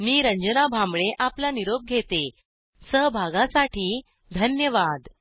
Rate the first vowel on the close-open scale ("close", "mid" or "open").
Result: close